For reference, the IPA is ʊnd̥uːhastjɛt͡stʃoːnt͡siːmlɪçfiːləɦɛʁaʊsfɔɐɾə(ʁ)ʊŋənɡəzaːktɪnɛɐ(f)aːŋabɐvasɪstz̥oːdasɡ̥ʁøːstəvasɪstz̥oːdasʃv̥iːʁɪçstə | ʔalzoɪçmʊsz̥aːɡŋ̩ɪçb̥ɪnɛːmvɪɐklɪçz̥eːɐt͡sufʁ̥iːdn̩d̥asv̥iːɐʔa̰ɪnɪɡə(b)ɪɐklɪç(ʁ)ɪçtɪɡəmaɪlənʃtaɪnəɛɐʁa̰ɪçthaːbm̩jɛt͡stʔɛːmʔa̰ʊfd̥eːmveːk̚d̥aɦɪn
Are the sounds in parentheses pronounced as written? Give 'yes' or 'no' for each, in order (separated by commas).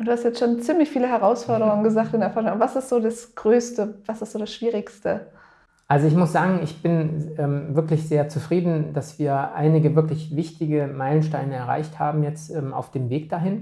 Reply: yes, yes, no, no